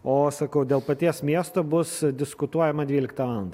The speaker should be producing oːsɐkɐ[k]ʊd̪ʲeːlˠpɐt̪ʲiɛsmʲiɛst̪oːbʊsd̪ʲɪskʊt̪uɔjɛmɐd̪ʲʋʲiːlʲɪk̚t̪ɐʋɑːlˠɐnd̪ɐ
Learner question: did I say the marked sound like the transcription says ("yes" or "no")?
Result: no